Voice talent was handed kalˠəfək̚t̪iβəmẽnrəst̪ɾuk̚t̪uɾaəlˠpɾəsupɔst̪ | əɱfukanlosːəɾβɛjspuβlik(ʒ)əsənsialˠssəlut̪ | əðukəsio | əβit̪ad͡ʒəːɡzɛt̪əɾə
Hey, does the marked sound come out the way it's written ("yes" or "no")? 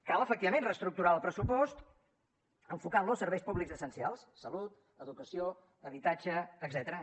no